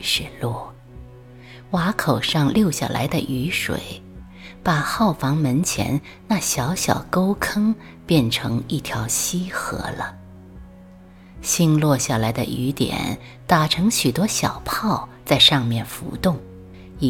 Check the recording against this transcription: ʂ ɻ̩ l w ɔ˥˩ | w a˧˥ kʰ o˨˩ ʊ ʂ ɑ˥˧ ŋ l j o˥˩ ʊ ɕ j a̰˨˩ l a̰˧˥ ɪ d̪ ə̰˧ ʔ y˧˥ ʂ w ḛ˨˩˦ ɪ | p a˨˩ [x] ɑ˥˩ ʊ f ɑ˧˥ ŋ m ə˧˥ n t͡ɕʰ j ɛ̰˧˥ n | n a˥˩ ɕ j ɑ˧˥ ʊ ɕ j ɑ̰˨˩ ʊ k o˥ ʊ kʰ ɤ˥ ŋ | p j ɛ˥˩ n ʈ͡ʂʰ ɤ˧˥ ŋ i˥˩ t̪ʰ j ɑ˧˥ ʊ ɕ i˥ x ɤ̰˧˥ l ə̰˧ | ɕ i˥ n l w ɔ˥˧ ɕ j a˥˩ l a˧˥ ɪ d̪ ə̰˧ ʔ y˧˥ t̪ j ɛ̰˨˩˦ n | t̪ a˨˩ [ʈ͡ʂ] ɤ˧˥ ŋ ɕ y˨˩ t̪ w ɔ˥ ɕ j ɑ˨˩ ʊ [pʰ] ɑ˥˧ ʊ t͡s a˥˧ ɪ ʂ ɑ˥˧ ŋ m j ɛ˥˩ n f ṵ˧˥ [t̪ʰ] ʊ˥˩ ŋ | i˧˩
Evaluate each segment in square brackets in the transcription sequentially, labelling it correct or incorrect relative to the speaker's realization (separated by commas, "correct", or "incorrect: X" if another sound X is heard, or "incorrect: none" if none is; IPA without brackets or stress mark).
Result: correct, incorrect: ʈ͡ʂʰ, correct, incorrect: t̪